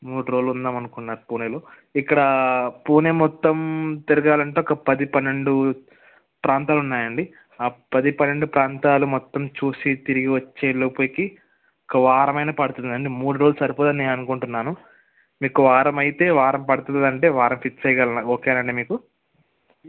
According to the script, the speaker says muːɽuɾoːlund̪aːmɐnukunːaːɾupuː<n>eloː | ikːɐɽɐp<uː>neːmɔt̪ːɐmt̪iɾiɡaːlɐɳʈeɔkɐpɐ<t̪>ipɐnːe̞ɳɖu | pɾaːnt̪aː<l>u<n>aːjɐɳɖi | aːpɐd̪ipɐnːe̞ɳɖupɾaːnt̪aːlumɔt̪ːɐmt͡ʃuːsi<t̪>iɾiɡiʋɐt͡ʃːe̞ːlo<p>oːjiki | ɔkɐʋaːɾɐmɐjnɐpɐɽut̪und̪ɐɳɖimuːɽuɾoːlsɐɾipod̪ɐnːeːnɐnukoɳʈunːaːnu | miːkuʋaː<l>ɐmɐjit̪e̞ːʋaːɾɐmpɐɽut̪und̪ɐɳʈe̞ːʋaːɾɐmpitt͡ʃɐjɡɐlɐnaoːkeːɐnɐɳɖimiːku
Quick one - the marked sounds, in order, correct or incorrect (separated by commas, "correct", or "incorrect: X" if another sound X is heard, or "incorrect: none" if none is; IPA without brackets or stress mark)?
correct, correct, incorrect: d̪, correct, incorrect: nː, correct, correct, incorrect: ɾ